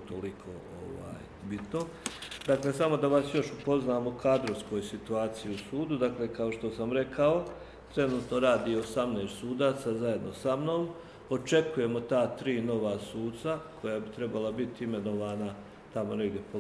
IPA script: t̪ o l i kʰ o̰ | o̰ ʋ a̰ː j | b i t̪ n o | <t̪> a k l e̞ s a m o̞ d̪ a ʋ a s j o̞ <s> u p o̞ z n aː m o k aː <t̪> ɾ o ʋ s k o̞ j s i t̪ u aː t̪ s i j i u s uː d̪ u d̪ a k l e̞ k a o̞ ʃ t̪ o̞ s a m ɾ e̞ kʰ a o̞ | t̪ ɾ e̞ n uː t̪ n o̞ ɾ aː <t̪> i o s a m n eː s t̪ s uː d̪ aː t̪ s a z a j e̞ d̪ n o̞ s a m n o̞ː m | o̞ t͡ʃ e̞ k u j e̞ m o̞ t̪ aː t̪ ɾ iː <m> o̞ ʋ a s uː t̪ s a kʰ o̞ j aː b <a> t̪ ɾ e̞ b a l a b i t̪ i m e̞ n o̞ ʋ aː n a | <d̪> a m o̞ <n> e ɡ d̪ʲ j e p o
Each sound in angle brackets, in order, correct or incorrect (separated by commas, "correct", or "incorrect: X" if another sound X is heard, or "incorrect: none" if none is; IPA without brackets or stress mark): incorrect: d̪, incorrect: ʃ, incorrect: d̪, incorrect: d̪, incorrect: n, incorrect: i, incorrect: t̪, correct